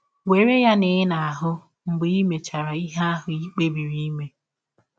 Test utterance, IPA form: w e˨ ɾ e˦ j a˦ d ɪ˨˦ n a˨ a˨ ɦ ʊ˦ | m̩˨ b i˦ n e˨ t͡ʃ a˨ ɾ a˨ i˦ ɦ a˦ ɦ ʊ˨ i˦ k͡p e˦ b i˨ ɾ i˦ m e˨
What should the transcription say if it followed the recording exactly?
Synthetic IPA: w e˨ ɾ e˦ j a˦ n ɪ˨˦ n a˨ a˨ ɦ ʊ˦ | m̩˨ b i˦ m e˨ t͡ʃ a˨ ɾ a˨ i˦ ɦ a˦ ɦ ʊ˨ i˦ k͡p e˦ b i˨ ɾ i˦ m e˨